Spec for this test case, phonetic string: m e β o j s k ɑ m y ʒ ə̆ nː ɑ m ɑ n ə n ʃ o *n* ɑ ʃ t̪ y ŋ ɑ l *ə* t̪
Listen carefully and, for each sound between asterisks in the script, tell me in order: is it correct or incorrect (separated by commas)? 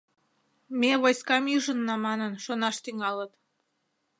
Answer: correct, correct